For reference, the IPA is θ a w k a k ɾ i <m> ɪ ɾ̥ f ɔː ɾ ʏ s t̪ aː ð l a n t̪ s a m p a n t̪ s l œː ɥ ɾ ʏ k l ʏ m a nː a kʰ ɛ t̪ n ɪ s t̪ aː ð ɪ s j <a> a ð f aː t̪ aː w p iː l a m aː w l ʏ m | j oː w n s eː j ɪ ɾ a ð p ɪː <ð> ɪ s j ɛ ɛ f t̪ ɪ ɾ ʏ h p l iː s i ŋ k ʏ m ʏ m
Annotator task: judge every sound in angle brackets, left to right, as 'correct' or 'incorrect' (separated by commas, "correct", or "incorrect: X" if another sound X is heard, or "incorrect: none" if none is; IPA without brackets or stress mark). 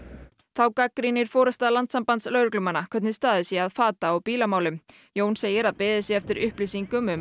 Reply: incorrect: n, incorrect: ɛ, correct